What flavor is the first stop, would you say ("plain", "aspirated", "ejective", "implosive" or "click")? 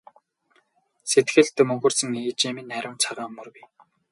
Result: plain